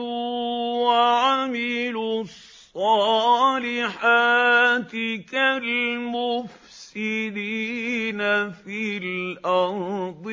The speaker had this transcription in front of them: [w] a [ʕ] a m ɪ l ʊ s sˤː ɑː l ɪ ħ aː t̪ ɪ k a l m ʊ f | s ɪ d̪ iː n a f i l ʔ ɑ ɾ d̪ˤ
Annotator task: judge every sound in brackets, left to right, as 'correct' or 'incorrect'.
correct, correct

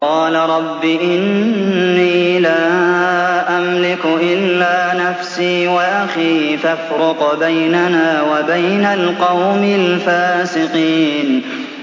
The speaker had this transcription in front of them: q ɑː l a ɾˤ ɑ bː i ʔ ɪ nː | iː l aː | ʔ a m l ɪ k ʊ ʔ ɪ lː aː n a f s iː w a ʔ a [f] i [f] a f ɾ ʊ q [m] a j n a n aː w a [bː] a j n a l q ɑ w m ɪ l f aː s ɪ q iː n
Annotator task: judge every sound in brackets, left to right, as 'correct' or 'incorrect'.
incorrect, correct, incorrect, incorrect

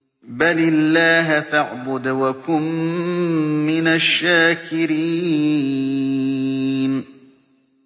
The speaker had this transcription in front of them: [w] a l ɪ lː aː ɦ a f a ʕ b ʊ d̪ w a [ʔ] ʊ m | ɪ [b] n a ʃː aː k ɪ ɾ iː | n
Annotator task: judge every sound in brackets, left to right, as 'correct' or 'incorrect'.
incorrect, incorrect, incorrect

